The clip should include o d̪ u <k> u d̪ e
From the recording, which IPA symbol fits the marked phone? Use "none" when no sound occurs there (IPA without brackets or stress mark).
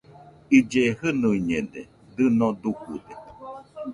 k